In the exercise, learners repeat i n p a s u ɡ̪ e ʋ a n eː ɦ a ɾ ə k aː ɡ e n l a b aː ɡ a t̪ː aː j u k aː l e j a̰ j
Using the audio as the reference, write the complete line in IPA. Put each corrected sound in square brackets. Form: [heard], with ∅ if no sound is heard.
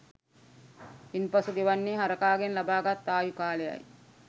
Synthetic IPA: i n p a s u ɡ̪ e ʋ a [nː] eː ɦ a ɾ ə k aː ɡ e n l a b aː ɡ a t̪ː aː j u k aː l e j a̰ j